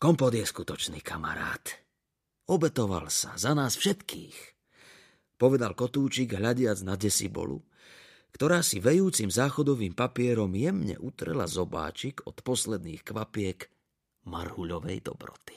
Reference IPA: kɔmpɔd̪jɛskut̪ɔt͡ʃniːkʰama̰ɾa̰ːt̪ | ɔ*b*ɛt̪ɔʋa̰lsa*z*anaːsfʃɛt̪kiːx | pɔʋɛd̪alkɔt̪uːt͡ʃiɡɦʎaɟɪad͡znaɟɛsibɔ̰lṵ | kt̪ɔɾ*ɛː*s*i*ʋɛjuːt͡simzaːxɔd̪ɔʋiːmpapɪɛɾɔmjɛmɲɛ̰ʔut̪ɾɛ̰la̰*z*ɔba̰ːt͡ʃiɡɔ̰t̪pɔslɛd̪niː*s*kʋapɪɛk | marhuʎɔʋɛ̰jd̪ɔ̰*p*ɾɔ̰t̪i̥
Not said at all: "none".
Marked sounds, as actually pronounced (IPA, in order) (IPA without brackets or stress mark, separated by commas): b, z, aː, i, z, x, b